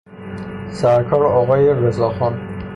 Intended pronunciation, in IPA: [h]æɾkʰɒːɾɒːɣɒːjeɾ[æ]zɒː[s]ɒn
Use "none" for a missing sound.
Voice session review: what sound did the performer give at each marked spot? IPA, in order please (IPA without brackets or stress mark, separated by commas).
s, e, x